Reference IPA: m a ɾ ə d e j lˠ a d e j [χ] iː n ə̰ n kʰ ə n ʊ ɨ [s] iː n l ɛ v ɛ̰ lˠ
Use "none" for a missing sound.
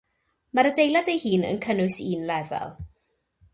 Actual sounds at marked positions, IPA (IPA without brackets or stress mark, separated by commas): h, s